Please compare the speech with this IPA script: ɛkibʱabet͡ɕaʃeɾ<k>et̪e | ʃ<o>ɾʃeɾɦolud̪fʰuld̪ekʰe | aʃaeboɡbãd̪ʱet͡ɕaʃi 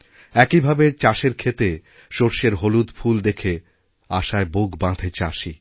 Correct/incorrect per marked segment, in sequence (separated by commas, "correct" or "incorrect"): incorrect, correct